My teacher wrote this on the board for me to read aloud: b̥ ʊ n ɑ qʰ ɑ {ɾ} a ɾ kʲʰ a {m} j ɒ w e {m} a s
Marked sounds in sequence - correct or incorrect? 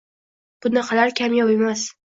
incorrect: l, correct, correct

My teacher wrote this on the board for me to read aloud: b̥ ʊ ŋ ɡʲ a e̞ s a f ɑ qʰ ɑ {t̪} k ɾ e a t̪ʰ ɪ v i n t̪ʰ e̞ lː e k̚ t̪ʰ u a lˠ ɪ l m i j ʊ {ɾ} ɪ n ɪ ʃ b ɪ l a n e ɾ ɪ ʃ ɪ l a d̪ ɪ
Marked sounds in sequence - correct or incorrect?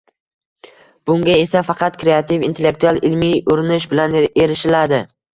correct, correct

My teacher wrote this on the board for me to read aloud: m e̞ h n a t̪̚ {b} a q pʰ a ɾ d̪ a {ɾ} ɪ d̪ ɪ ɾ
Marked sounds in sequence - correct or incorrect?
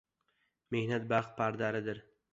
correct, correct

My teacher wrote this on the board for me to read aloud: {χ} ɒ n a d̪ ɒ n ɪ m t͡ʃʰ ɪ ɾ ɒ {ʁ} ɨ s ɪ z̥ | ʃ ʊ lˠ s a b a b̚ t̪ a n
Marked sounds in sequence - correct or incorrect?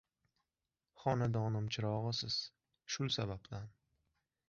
correct, correct

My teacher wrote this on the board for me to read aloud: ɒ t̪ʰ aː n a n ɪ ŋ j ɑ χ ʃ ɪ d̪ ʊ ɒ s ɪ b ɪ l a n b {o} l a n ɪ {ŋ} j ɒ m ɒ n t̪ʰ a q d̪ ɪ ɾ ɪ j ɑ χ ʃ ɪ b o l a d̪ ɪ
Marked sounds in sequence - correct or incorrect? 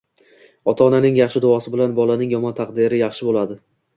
incorrect: ɒ, correct

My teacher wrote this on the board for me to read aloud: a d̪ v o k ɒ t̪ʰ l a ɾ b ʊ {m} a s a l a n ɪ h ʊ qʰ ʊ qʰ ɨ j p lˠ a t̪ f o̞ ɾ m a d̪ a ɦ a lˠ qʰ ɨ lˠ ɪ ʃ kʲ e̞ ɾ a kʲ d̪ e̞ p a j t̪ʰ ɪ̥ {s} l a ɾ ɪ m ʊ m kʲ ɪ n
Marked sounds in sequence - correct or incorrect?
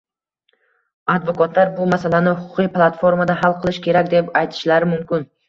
correct, incorrect: ʃ

